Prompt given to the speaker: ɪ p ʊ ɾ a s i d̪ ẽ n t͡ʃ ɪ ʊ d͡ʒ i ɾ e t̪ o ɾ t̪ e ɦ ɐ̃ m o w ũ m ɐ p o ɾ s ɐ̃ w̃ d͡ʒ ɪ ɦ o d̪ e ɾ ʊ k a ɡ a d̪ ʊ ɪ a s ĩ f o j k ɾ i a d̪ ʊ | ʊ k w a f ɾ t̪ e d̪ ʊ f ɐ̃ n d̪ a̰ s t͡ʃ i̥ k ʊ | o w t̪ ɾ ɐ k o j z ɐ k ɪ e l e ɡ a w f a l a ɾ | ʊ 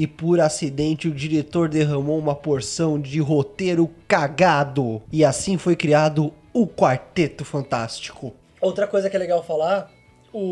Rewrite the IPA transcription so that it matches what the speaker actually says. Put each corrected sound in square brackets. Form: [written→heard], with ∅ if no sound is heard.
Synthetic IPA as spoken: ɪ p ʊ ɾ a s i d̪ ẽ n t͡ʃ ɪ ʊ d͡ʒ i ɾ e t̪ o ɾ [t̪→d̪] e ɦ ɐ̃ m o w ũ m ɐ p o ɾ s ɐ̃ w̃ d͡ʒ ɪ ɦ o [d̪→t̪] e ɾ ʊ k a ɡ a d̪ ʊ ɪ a s ĩ f o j k ɾ i a d̪ ʊ | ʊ k w a [f→∅] ɾ t̪ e [d̪→t̪] ʊ f ɐ̃ n [d̪→t̪] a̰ s t͡ʃ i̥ k ʊ | o w t̪ ɾ ɐ k o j z ɐ k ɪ [e→ɛ] l e ɡ a w f a l a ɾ | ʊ

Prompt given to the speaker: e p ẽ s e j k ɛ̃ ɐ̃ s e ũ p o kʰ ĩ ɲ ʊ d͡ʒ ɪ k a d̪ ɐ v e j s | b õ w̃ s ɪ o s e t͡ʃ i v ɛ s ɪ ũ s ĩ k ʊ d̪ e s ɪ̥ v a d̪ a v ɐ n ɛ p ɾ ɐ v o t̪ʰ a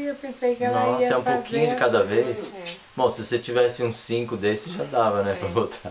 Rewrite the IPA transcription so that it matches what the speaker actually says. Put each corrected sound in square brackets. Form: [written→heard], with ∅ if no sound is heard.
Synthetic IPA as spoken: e p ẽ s e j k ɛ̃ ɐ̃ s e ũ p o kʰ ĩ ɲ ʊ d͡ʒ ɪ k a d̪ ɐ v e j s | b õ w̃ s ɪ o s e t͡ʃ i v ɛ s ɪ ũ s ĩ k ʊ d̪ e s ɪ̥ [v→ʒ] a d̪ a v ɐ n ɛ p ɾ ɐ v o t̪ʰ a

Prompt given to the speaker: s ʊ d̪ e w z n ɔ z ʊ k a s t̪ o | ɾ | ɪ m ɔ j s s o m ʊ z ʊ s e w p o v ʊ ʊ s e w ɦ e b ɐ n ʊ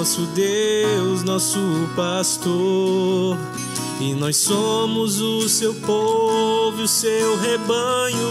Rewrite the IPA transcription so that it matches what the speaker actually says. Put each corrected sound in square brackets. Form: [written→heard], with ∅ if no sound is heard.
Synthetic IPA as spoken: s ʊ d̪ e w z n ɔ [z→s] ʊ [k→p] a s t̪ o | ɾ | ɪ [m→n] ɔ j s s o m ʊ z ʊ s e w p o v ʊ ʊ s e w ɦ e b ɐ [n→ɲ] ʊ

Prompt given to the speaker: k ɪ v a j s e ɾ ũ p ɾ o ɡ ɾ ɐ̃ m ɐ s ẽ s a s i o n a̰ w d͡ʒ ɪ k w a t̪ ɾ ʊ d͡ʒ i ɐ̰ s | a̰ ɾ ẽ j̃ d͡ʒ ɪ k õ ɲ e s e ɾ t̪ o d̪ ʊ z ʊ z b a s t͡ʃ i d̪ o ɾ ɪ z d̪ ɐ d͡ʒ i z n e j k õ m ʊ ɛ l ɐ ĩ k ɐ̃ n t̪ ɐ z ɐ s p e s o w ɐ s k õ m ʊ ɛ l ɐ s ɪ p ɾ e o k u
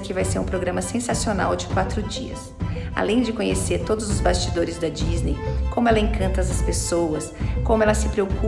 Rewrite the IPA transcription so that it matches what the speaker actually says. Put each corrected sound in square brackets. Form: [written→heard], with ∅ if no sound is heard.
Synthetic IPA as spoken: k ɪ v a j s e ɾ ũ p ɾ o ɡ ɾ ɐ̃ m ɐ s ẽ s a s i o n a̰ w d͡ʒ ɪ k w a t̪ ɾ ʊ d͡ʒ i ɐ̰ s | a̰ [ɾ→l] ẽ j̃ d͡ʒ ɪ k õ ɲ e s e ɾ t̪ o d̪ ʊ z ʊ z b a s t͡ʃ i d̪ o ɾ ɪ z d̪ ɐ d͡ʒ i z n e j k õ m ʊ ɛ l ɐ [ĩ→ẽ] k ɐ̃ n t̪ ɐ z ɐ s p e s o w ɐ s k õ m ʊ ɛ l ɐ s ɪ p ɾ e o k u

